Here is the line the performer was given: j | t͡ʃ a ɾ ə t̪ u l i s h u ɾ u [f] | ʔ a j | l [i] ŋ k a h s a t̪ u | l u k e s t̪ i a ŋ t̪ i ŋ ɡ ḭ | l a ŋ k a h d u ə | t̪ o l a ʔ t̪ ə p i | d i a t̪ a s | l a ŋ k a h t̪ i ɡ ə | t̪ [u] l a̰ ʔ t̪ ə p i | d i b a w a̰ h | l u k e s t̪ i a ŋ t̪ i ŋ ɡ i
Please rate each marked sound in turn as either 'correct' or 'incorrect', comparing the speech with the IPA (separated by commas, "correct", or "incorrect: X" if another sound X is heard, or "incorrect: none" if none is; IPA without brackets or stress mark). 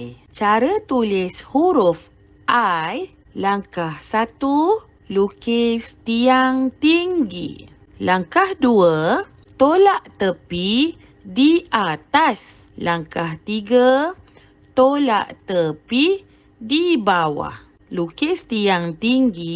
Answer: correct, incorrect: a, incorrect: o